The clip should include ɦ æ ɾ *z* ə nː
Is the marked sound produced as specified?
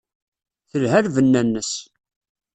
no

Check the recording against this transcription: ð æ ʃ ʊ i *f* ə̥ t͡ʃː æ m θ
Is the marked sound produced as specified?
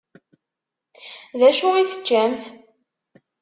no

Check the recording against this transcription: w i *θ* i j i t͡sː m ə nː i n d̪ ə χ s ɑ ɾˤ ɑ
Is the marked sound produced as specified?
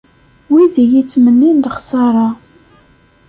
no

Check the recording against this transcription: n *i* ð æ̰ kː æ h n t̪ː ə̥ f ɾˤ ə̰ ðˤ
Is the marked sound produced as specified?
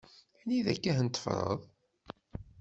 yes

